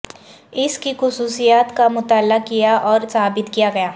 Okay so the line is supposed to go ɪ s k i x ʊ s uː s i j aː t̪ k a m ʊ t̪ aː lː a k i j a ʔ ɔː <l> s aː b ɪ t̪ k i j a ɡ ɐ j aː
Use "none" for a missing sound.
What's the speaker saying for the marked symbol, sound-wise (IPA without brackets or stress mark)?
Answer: ɾ